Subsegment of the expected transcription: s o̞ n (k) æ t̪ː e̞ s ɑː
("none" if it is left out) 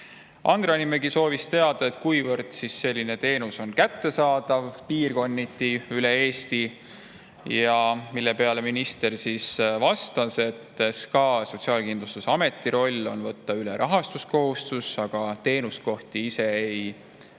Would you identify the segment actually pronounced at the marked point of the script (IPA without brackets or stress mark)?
k